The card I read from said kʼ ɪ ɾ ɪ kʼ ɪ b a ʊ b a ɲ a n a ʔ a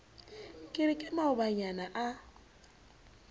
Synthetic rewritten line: kʼ ɪ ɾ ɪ kʼ ɪ m a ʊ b a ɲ a n a ʔ a

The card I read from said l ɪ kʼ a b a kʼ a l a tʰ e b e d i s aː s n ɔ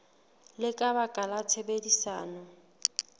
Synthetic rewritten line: l ɪ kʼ a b a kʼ a l a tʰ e b e d i s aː n ɔ

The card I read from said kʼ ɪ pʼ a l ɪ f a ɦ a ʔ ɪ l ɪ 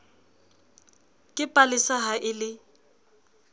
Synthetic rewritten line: kʼ ɪ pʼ a l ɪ s a ɦ a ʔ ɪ l ɪ

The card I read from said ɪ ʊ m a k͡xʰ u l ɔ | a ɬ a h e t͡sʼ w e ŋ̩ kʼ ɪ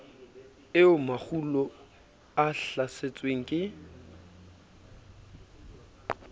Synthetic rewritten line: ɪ ʊ m a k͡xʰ u l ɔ | a ɬ a s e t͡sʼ w e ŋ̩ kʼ ɪ

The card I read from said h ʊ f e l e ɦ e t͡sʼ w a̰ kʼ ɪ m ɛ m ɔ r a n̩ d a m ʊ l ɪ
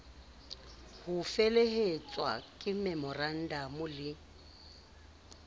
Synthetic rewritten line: h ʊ f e l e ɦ e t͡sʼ w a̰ kʼ ɪ m ɛ m ɔ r a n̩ d a m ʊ l ɪ

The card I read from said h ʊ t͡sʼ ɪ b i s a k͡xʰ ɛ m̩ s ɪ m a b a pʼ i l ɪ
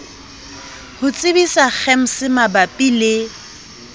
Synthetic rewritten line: h ʊ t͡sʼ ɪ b i s a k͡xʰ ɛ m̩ s ɪ m a b a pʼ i l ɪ

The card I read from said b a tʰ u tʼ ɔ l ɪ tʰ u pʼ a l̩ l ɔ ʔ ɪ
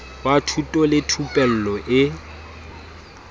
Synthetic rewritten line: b a tʰ u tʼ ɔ l ɪ tʰ u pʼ ɛ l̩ l ɔ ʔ ɪ

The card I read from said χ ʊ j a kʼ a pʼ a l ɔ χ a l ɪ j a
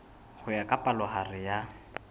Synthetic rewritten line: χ ʊ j a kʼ a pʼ a l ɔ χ a r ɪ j a

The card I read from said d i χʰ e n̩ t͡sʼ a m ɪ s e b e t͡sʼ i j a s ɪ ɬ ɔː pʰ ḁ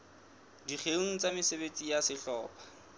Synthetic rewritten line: d i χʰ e ŋ̩ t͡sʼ a m ɪ s e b e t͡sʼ i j a s ɪ ɬ ɔː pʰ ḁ

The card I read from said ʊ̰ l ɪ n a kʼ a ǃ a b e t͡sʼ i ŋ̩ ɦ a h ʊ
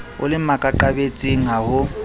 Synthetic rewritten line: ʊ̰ l ɪ m a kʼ a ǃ a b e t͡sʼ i ŋ̩ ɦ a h ʊ

